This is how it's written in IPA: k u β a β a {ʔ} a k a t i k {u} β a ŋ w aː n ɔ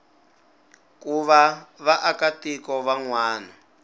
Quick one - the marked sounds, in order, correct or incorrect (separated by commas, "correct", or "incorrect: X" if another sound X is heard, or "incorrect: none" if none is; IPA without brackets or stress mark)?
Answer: correct, incorrect: ɔ